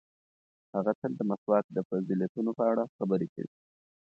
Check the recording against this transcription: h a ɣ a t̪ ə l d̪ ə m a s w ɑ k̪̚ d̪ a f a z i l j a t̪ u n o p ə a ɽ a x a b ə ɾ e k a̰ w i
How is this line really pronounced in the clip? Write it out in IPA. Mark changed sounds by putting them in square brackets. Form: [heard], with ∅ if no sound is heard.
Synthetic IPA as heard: h a ɣ a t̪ ə l d̪ ə m a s w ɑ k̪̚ d̪ [ə] f a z i l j a t̪ u n o p ə a ɽ a x a b ə ɾ e k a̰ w i